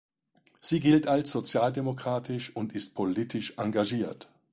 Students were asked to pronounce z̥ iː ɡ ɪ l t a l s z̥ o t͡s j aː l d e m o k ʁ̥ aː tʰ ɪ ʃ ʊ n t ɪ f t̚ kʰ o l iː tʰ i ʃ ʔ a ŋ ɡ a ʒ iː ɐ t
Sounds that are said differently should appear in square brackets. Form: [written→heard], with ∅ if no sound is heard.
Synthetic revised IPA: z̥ iː ɡ ɪ l t a l s z̥ o t͡s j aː l d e m o k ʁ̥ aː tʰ ɪ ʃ ʊ n t ɪ [f→s] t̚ [kʰ→pʰ] o l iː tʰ [i→ɪ] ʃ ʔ a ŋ ɡ a ʒ iː ɐ t